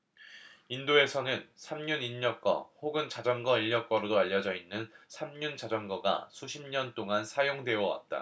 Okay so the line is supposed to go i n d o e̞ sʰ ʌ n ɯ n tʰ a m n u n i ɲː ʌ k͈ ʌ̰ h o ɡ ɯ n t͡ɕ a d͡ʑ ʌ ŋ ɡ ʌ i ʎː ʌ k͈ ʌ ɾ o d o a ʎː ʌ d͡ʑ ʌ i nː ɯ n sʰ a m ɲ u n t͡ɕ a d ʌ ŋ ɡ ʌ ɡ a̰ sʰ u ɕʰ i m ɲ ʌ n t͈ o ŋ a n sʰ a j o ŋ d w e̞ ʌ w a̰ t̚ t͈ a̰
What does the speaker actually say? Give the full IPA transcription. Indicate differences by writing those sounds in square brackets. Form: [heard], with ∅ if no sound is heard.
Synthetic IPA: i n d o e̞ sʰ ʌ n ɯ n [sʰ] a m [ɲ] u n i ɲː ʌ k͈ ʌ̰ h o ɡ ɯ n t͡ɕ a d͡ʑ ʌ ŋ ɡ ʌ i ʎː ʌ k͈ ʌ ɾ o d o a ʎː ʌ d͡ʑ ʌ i nː ɯ n sʰ a m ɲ u n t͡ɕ a [d͡ʑ] ʌ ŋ ɡ ʌ ɡ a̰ sʰ u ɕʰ i m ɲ ʌ n t͈ o ŋ a n sʰ a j o ŋ d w e̞ ʌ w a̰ t̚ t͈ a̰

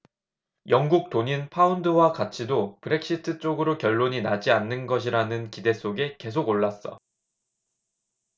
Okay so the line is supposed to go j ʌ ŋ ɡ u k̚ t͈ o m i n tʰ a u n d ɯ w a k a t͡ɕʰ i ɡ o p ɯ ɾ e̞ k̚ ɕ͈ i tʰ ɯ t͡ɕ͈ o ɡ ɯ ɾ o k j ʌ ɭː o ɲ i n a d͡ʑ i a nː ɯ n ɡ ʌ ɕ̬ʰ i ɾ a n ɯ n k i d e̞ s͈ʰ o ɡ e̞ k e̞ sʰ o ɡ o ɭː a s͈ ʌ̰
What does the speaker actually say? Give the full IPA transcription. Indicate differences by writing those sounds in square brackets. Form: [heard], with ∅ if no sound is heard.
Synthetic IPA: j ʌ ŋ ɡ u k̚ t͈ o [ɲ] i n [pʰ] a u n d ɯ w a k a t͡ɕʰ i [d] o p ɯ ɾ e̞ k̚ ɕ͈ i tʰ ɯ t͡ɕ͈ o ɡ ɯ ɾ o k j ʌ ɭː o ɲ i n a d͡ʑ i a nː ɯ n ɡ ʌ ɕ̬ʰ i ɾ a n ɯ n k i d e̞ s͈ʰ o ɡ e̞ k e̞ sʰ o ɡ o ɭː a s͈ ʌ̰

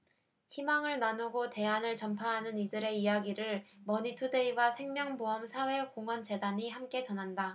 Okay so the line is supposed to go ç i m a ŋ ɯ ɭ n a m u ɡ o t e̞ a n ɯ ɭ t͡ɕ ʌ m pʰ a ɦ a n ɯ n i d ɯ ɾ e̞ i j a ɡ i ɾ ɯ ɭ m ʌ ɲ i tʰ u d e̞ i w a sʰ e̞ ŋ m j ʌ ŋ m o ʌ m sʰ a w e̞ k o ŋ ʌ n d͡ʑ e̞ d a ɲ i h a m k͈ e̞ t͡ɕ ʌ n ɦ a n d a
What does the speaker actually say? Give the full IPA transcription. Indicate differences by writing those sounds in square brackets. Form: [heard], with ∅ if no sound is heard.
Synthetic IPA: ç i m a ŋ ɯ ɭ n a [n] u ɡ o t e̞ a n ɯ ɭ t͡ɕ ʌ m pʰ a ɦ a n ɯ n i d ɯ ɾ e̞ i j a ɡ i ɾ ɯ ɭ m ʌ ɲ i tʰ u d e̞ i w a sʰ e̞ ŋ m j ʌ ŋ [b] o ʌ m sʰ a w e̞ k o ŋ ʌ n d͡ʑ e̞ d a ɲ i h a m k͈ e̞ t͡ɕ ʌ n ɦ a n d a

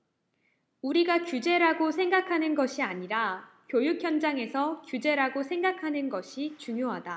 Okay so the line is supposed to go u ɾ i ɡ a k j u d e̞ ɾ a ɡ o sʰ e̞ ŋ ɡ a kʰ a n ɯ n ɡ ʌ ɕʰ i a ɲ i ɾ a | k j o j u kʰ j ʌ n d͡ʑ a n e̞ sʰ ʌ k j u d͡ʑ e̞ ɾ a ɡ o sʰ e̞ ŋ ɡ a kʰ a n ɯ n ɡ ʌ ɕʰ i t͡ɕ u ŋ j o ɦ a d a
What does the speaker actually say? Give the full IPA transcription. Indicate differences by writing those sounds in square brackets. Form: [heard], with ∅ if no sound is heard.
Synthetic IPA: u ɾ i ɡ a k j u [d͡ʑ] e̞ ɾ a ɡ o sʰ e̞ ŋ ɡ a kʰ a n ɯ n ɡ ʌ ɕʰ i a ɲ i ɾ a | k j o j u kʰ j ʌ n d͡ʑ a [ŋ] e̞ sʰ ʌ k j u d͡ʑ e̞ ɾ a ɡ o sʰ e̞ ŋ ɡ a kʰ a n ɯ n ɡ ʌ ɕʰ i t͡ɕ u ŋ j o ɦ a d a

